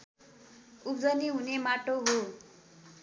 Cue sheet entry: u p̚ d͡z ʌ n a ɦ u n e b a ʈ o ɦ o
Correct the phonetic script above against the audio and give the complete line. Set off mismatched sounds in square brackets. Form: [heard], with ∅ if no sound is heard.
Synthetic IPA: u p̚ d͡z ʌ n [i] ɦ u n e [m] a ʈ o ɦ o